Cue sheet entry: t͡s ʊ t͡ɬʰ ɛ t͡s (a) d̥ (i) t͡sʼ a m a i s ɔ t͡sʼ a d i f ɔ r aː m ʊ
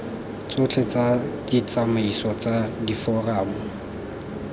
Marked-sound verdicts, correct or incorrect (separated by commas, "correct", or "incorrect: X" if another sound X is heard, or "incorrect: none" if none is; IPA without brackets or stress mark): correct, correct